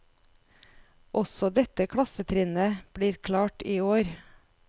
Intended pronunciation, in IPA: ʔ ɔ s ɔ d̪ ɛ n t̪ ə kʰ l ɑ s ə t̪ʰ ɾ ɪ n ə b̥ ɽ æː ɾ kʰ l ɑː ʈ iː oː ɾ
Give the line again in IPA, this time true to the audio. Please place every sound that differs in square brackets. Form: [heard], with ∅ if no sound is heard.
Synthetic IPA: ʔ ɔ s ɔ d̪ ɛ [∅] t̪ ə kʰ [ɽ] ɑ s ə t̪ʰ ɾ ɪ n ə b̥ ɽ [iː] ɾ kʰ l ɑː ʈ iː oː ɾ